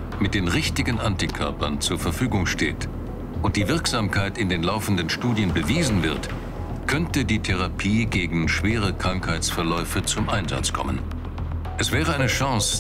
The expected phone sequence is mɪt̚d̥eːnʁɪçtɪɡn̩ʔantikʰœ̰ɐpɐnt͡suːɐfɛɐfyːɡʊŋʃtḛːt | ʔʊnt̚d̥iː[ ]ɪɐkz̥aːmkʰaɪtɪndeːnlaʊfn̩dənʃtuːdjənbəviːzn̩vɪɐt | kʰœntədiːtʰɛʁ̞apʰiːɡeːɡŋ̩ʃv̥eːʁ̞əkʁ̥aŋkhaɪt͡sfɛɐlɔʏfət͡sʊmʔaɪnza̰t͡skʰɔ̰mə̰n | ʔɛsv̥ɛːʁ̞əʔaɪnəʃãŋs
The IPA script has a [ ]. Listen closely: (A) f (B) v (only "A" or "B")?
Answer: B